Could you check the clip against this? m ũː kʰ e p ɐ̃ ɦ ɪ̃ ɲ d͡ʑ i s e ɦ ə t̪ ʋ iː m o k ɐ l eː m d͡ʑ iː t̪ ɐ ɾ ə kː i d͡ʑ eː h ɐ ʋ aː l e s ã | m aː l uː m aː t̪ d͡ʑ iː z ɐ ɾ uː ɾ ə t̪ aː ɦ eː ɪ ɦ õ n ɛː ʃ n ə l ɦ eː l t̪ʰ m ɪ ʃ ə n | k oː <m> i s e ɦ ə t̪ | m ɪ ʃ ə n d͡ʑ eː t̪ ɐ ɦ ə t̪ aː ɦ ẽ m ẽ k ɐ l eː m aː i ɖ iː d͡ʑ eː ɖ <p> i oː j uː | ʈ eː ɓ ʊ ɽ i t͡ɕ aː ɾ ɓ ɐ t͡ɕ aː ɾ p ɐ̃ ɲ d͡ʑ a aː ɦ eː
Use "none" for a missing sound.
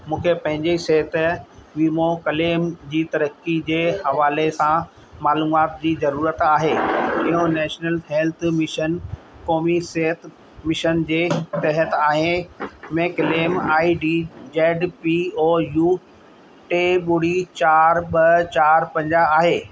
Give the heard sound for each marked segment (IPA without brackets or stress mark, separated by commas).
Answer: m, p